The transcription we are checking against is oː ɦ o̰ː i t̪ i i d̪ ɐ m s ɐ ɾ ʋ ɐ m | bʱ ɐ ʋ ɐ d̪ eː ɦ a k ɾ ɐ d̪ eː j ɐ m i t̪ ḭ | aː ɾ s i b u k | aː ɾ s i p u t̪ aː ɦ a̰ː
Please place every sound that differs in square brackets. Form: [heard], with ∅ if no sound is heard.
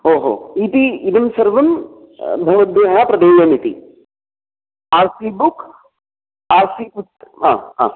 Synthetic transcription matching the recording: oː ɦ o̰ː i t̪ i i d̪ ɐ m s ɐ ɾ ʋ ɐ m | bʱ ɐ ʋ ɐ d̪ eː ɦ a [p] ɾ ɐ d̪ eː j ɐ m i t̪ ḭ | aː ɾ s i b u k | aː ɾ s i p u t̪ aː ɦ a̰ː